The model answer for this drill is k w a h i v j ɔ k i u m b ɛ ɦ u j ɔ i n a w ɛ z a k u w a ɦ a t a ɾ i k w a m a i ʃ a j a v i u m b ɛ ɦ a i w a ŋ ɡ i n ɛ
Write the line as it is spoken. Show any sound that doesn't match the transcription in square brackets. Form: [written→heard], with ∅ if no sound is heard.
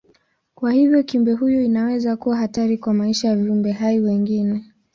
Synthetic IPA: k w a h i v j ɔ k i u m b ɛ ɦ u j ɔ i n a w ɛ z a k u w a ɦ a t a ɾ i k w a m a i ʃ a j a v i u m b ɛ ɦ a i w [a→ɛ] ŋ ɡ i n ɛ